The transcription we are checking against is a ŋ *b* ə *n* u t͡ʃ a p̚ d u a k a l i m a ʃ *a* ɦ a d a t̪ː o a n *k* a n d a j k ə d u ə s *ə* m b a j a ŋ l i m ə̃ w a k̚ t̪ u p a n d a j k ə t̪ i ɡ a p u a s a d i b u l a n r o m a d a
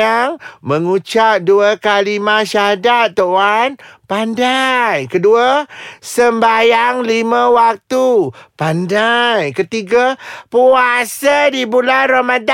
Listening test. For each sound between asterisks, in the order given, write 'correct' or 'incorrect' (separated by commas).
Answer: incorrect, incorrect, correct, incorrect, correct